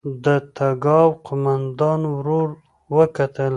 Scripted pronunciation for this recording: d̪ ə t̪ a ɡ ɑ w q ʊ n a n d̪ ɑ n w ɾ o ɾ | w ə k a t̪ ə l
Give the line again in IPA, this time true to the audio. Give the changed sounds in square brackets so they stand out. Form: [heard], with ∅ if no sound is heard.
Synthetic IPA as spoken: d̪ ə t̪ a ɡ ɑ w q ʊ [m] a n d̪ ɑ n w ɾ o ɾ | w ə k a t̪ ə l